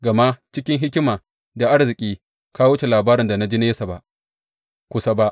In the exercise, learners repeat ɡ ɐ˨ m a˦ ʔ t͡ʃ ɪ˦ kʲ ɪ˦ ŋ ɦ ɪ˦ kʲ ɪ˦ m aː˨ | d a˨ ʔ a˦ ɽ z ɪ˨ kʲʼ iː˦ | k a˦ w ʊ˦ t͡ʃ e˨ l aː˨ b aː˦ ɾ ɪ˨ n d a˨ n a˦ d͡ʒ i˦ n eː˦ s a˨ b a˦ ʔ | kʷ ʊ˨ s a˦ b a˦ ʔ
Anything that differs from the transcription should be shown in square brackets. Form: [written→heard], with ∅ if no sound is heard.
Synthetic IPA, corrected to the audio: ɡ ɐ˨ m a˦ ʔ t͡ʃ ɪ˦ kʲ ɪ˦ ŋ ɦ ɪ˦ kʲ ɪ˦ m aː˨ | d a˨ ʔ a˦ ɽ z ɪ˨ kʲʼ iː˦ | k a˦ w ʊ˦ t͡ʃ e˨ l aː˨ b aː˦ ɾ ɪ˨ n d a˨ n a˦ d͡ʒ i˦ n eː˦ s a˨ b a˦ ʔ | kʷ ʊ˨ s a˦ b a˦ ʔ